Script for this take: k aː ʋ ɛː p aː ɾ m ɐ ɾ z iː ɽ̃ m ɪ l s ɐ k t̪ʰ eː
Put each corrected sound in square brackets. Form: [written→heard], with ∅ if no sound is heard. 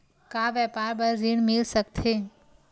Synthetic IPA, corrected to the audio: k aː ʋ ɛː p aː ɾ [m→b] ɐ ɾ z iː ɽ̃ m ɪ l s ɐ k t̪ʰ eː